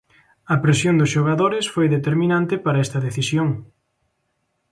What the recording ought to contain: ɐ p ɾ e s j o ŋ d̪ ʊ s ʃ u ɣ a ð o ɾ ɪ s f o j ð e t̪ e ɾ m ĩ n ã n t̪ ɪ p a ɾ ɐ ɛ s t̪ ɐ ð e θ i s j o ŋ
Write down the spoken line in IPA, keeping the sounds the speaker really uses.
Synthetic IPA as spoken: ɐ p ɾ e s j o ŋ d̪ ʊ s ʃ o ɣ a ð o ɾ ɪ s f o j ð e t̪ e ɾ m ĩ n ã n t̪ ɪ p a ɾ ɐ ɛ s t̪ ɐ ð e θ i s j o ŋ